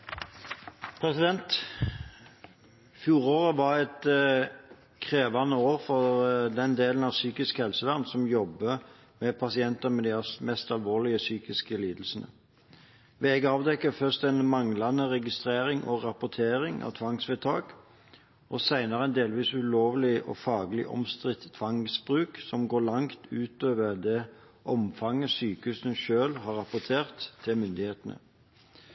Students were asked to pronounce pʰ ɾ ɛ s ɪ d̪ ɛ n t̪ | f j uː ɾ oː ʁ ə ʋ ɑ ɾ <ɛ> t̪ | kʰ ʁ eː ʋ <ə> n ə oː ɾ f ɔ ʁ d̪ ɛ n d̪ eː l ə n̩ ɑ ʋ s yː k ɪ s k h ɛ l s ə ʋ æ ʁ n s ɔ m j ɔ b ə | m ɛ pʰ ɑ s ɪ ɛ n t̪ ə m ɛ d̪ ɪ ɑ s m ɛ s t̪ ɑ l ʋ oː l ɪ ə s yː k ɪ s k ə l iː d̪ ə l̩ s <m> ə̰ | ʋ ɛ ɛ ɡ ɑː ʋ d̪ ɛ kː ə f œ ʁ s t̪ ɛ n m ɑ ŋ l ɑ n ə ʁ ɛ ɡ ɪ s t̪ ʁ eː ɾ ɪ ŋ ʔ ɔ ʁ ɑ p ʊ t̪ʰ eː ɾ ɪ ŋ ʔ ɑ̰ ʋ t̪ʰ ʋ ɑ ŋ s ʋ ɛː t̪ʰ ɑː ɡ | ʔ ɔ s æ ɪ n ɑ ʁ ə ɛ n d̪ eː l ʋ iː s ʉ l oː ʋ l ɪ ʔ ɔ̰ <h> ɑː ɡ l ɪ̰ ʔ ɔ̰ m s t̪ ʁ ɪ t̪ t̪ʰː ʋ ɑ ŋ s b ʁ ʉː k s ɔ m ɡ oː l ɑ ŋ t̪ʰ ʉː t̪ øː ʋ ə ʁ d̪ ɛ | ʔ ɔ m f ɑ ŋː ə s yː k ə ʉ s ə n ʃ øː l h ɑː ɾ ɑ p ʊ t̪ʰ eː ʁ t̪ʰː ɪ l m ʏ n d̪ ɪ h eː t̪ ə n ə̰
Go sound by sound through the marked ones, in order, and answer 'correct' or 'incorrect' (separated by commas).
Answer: correct, incorrect, incorrect, incorrect